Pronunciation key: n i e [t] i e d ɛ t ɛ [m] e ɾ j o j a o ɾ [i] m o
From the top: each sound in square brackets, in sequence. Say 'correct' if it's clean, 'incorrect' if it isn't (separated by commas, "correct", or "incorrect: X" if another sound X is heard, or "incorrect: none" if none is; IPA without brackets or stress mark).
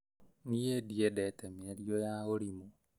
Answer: incorrect: d, correct, correct